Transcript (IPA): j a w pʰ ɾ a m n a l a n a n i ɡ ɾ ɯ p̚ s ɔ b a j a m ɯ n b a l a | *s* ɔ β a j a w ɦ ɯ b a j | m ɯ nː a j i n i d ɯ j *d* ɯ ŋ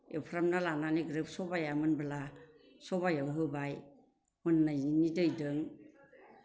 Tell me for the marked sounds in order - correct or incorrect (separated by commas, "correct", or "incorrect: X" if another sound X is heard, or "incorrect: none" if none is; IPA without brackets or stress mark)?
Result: correct, correct